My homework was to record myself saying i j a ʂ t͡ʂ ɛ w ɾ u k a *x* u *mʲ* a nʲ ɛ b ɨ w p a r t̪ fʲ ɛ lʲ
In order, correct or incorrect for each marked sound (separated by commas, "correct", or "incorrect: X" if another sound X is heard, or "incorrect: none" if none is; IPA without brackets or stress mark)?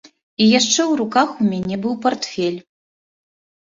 correct, correct